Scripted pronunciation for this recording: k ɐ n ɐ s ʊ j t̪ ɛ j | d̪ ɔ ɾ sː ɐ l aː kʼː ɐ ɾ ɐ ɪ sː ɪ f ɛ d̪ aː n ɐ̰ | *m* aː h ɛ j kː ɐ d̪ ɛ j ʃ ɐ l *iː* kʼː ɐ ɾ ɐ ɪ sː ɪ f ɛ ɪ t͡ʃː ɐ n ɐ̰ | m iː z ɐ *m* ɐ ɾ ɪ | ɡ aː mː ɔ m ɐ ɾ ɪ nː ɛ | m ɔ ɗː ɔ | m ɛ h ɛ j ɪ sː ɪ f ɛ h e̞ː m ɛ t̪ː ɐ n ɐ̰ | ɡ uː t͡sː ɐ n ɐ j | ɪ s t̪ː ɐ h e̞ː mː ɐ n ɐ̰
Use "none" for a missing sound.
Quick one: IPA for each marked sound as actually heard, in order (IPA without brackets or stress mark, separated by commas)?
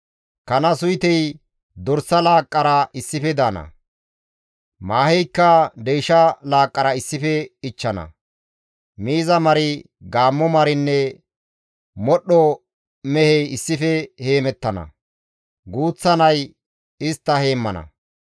m, aː, m